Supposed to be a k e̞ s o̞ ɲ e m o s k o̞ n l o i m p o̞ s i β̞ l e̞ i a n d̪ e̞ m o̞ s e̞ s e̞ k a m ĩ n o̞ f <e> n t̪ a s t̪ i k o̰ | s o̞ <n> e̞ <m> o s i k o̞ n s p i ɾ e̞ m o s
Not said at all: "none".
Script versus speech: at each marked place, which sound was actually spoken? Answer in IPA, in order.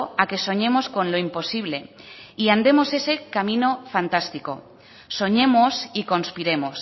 a, ɲ, m

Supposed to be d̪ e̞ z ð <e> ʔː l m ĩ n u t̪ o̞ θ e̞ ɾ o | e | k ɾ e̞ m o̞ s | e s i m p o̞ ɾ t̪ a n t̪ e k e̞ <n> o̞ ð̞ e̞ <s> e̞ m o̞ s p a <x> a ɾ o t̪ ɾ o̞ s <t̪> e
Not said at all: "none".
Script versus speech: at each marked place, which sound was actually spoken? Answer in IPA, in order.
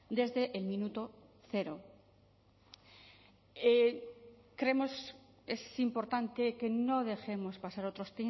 e, n, x, s, t̪

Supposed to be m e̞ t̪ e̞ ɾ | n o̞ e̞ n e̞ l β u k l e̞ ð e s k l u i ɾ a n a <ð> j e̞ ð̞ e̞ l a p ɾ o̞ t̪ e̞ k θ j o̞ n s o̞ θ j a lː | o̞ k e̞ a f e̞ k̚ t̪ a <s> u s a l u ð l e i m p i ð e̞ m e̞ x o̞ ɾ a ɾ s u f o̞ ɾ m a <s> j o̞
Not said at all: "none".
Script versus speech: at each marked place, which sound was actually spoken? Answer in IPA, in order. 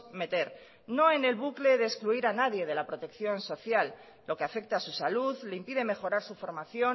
ð, s, θ

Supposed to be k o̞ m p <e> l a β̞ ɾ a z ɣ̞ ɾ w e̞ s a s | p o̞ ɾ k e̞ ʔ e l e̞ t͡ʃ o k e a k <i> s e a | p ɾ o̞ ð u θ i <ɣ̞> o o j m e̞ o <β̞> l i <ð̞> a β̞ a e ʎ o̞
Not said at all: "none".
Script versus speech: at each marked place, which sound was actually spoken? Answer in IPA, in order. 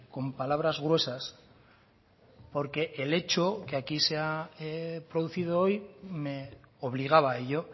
a, i, ð̞, β̞, ɣ̞

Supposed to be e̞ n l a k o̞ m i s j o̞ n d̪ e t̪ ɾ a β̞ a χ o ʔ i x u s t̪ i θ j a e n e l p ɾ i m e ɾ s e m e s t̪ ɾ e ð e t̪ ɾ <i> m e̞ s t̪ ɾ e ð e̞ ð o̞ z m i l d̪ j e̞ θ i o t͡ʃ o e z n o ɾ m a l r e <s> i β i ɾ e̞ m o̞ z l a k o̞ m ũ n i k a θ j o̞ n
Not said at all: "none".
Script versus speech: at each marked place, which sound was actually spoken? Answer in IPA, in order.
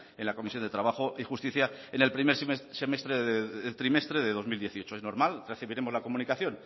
i, θ

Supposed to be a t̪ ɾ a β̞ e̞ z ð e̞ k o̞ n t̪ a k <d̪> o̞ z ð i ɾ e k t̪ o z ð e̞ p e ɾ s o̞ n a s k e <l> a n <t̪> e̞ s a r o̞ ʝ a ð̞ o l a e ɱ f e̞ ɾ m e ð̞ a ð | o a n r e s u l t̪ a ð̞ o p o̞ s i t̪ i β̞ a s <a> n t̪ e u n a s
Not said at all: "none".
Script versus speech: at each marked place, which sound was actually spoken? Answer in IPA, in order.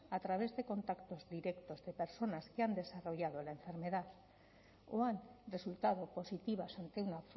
t̪, none, d̪, a

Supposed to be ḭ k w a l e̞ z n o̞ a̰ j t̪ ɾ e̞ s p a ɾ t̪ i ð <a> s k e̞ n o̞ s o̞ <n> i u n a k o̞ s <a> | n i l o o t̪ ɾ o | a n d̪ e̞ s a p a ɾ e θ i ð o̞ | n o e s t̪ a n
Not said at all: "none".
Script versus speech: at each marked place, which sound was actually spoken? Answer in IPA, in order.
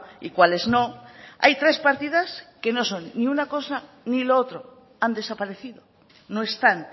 a, nː, a

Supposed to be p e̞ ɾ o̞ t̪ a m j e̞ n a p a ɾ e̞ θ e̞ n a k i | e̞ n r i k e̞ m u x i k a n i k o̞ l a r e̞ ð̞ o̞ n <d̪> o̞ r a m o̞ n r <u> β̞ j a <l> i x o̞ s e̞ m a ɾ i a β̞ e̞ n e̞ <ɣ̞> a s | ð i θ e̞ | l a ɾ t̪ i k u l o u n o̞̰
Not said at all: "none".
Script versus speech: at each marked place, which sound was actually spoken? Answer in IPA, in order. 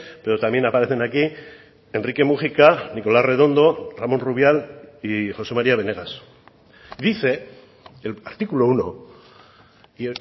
d̪, u, l, ɣ̞

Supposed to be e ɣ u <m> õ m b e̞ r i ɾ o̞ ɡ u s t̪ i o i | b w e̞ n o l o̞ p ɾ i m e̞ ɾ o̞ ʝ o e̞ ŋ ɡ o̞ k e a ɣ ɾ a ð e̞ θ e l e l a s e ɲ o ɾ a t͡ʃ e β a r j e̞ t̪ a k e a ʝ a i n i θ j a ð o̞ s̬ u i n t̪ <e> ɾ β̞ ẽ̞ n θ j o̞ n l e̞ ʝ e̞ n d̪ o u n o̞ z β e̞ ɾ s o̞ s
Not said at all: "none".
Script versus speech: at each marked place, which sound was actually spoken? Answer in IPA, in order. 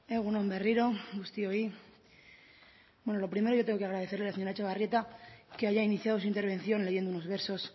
n, e

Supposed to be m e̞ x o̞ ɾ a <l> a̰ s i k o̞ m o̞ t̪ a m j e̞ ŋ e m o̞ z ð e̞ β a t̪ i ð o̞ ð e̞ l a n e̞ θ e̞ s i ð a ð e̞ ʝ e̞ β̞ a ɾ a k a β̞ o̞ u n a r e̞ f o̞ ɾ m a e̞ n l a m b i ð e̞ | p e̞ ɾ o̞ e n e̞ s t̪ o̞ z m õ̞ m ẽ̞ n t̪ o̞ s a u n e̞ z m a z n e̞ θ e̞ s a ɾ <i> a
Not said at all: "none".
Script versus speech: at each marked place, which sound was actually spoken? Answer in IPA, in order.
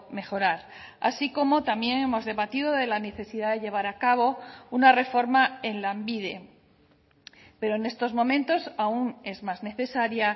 ɾ, j

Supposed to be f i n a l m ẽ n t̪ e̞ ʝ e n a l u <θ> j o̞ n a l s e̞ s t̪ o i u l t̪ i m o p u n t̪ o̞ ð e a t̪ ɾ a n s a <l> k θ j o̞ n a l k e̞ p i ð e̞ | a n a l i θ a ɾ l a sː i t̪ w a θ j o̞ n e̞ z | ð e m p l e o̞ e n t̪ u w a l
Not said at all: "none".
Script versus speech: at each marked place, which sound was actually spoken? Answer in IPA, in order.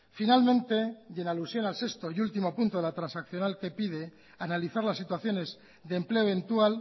s, none

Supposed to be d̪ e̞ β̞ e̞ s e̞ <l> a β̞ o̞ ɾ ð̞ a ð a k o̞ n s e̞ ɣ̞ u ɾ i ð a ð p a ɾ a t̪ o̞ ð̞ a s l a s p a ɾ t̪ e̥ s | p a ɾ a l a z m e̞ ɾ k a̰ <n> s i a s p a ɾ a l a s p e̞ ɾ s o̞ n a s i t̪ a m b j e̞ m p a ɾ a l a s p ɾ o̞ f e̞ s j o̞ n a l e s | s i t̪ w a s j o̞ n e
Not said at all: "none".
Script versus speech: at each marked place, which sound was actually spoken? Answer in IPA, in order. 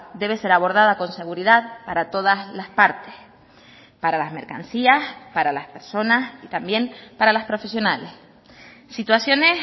ɾ, n

